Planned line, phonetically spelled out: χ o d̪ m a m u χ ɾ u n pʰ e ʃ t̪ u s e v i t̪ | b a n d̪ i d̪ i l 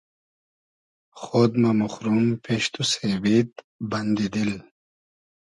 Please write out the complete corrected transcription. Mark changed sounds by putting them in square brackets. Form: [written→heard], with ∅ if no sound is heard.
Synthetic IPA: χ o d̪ m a m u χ ɾ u [n→m] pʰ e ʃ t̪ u s e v i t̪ | b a n d̪ i d̪ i l